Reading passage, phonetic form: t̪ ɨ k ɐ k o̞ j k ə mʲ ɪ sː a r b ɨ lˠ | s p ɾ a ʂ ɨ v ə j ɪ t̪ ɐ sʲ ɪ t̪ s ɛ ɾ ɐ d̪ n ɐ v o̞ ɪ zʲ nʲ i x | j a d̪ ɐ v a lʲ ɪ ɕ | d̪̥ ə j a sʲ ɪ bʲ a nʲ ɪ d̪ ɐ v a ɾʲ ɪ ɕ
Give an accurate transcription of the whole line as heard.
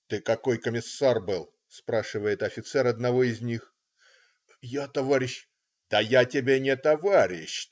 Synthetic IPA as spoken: t̪ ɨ k ɐ k o̞ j k ə mʲ ɪ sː a r b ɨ lˠ | s p ɾ a ʂ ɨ v ə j ɪ t̪ ɐ fʲ ɪ t̪ s ɛ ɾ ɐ d̪ n ɐ v o̞ ɪ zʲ nʲ i x | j a t̪ ɐ v a ɾʲ ɪ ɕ | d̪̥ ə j a tʲ ɪ bʲ e nʲ ɪ t̪ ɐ v a ɾʲ ɪ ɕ